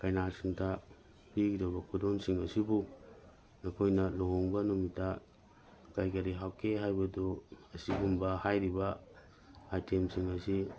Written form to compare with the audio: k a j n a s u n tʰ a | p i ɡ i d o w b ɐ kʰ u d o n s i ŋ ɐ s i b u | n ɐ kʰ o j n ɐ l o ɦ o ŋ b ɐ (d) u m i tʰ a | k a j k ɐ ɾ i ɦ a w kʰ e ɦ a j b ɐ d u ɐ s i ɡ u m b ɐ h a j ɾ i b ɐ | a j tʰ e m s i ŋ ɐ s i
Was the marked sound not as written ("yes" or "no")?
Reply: yes